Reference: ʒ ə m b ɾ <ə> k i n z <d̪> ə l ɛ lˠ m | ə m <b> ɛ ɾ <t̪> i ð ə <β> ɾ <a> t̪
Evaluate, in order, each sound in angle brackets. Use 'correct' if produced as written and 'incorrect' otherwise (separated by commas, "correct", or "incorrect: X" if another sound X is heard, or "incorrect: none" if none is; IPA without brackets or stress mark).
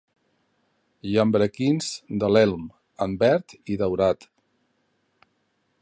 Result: correct, correct, correct, correct, incorrect: w, correct